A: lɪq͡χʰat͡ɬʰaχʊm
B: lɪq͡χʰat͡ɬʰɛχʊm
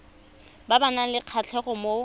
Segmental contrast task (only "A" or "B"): B